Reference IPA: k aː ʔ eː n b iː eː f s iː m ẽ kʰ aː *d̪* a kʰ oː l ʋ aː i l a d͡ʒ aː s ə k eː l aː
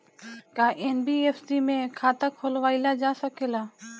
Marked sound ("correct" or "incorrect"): incorrect